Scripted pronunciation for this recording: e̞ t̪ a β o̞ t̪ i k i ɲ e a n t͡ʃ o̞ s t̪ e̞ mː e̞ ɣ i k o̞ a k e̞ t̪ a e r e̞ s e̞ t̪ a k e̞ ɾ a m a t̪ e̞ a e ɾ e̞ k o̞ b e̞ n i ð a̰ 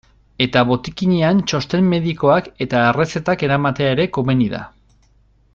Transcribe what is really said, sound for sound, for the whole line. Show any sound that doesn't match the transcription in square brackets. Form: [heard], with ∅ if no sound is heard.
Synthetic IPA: e̞ t̪ a β o̞ t̪ i k i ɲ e a n t͡ʃ o̞ s t̪ e̞ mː e̞ [ð] i k o̞ a k e̞ t̪ a e r e̞ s e̞ t̪ a k e̞ ɾ a m a t̪ e̞ a e ɾ e̞ k o̞ [m] e̞ n i ð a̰